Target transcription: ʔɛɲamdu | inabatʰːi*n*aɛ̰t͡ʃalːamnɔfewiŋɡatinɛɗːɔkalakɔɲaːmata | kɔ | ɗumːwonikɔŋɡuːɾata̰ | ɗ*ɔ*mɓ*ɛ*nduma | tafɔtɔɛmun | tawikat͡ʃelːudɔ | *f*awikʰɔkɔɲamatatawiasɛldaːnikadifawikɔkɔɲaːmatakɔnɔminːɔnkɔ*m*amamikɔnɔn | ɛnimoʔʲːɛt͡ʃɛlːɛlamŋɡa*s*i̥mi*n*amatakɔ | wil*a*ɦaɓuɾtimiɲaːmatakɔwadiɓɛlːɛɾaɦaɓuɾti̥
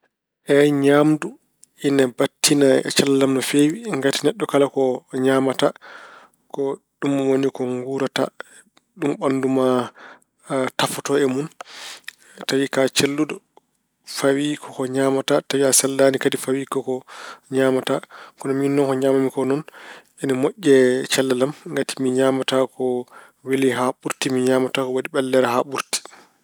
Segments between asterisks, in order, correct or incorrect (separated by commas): correct, incorrect, incorrect, correct, incorrect, incorrect, incorrect, incorrect